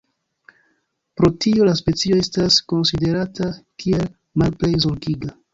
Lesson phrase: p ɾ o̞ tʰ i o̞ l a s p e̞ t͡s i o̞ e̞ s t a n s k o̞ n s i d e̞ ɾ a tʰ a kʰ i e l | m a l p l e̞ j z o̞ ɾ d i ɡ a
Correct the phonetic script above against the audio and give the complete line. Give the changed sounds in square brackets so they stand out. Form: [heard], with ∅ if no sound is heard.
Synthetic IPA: p ɾ o̞ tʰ i o̞ l a s p e̞ t͡s i o̞ e̞ s t a [∅] s k o̞ n s i d e̞ ɾ a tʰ a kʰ i e l | m a l p l e̞ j z o̞ ɾ [ɡ] i ɡ a